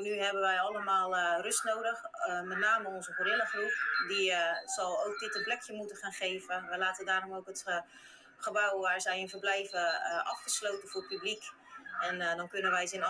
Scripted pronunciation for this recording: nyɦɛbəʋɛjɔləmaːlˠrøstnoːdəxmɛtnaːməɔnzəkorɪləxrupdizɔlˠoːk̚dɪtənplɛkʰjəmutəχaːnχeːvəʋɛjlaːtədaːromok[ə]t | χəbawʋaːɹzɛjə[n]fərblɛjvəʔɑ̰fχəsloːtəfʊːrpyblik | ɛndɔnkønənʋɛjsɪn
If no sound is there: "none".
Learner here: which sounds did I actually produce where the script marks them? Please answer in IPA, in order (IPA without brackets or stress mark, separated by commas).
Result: ə, n